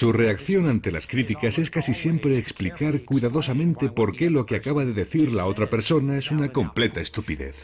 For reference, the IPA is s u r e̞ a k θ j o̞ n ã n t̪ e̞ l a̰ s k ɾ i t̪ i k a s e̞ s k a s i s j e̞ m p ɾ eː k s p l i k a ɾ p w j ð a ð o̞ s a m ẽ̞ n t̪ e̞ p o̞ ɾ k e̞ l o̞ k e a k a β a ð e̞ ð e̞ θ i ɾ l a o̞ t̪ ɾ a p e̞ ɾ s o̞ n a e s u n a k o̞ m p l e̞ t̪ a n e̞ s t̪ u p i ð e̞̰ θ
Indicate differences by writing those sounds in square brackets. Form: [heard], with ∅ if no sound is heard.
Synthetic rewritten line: s u r e̞ a k θ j o̞ n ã n t̪ e̞ l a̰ s k ɾ i t̪ i k a s e̞ s k a s i s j e̞ m p ɾ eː k s p l i k a ɾ [k] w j ð a ð o̞ s a m ẽ̞ n t̪ e̞ p o̞ ɾ k e̞ l o̞ k e a k a β a ð e̞ ð e̞ θ i ɾ l a o̞ t̪ ɾ a p e̞ ɾ s o̞ n a e s u n a k o̞ m p l e̞ t̪ a [∅] e̞ s t̪ u p i ð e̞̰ θ

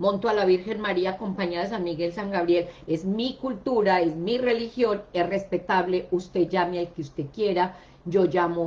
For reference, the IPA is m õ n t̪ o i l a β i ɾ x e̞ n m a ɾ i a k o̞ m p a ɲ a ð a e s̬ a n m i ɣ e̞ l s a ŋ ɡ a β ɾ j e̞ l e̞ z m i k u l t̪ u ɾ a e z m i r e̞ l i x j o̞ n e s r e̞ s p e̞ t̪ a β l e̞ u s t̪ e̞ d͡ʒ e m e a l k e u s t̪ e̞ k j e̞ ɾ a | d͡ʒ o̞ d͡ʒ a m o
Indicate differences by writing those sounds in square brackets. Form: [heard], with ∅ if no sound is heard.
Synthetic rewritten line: m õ n t̪ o [a] l a β i ɾ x e̞ n m a ɾ i a k o̞ m p a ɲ a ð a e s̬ a n m i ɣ e̞ l s a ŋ ɡ a β ɾ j e̞ l e̞ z m i k u l t̪ u ɾ a e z m i r e̞ l i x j o̞ n e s r e̞ s p e̞ t̪ a β l e̞ u s t̪ e̞ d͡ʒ [a] m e a l k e u s t̪ e̞ k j e̞ ɾ a | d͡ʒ o̞ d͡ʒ a m o

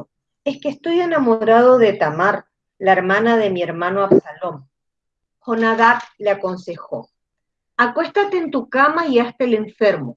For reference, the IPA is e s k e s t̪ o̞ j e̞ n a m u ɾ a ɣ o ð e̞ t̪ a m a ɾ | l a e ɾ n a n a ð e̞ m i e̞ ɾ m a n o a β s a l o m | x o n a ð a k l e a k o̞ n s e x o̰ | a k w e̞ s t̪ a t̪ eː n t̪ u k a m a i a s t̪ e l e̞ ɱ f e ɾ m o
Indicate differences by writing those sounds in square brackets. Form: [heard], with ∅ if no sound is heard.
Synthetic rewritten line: e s k e s t̪ o̞ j e̞ n a m [o] ɾ a [ð] o ð e̞ t̪ a m a ɾ | l a e ɾ [m] a n a ð e̞ m i e̞ ɾ m a n o a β s a l o m | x o n a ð a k l e a k o̞ n s e x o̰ | a k w e̞ s t̪ a t̪ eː n t̪ u k a m a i a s t̪ e l e̞ ɱ f e ɾ m o

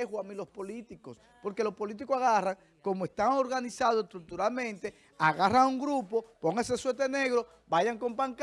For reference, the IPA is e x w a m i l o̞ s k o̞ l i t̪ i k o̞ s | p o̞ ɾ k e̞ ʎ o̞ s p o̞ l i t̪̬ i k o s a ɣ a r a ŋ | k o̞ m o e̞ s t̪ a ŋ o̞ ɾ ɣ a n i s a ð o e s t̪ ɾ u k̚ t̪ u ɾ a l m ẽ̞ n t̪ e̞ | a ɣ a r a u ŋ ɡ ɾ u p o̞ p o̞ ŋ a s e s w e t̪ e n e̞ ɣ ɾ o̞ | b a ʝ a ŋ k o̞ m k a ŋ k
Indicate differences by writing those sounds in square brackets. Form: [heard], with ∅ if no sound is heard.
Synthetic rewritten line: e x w a m i l o̞ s [p] o̞ l i t̪ i k o̞ s | p o̞ ɾ k e̞ [l] o̞ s p o̞ l i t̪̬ i k o s a ɣ a r a ŋ | k o̞ m o e̞ s t̪ a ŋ o̞ ɾ ɣ a n i s a ð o e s t̪ ɾ u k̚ t̪ u ɾ a l m ẽ̞ n t̪ e̞ | a ɣ a r a u ŋ ɡ ɾ u p o̞ p o̞ ŋ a s e s w e t̪ e n e̞ ɣ ɾ o̞ | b a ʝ a ŋ k o̞ m [p] a ŋ k

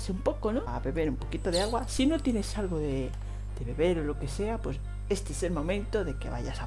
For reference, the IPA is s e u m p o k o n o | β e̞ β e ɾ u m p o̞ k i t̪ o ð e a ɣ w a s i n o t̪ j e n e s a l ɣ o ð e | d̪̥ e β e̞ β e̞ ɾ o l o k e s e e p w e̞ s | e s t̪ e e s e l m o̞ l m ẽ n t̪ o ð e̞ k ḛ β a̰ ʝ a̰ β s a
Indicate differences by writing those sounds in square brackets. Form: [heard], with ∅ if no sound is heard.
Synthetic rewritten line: s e u m p o k o n o | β e̞ β e ɾ u m p o̞ k i t̪ o ð e a ɣ w a s i n o t̪ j e n e s a l ɣ o ð e | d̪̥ e β e̞ β e̞ ɾ o l o k e s e [a] p w e̞ s | e s t̪ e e s e l m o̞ [∅] m ẽ n t̪ o ð e̞ k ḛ β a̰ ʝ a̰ [∅] s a

